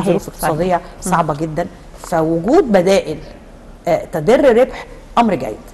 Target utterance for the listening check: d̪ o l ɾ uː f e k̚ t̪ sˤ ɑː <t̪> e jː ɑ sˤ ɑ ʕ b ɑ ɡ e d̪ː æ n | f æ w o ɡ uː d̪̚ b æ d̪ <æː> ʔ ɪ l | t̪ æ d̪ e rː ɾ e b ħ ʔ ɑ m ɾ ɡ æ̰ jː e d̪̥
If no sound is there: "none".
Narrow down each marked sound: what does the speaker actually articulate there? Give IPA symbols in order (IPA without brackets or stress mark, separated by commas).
d̪, æː